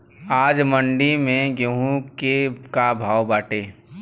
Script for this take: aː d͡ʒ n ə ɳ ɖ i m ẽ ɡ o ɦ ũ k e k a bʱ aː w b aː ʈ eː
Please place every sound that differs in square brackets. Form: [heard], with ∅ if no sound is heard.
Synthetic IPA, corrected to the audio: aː d͡ʒ [m] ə ɳ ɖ i m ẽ ɡ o ɦ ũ k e k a bʱ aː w b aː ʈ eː